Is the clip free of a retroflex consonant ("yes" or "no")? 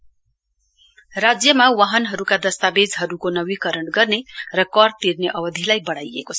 no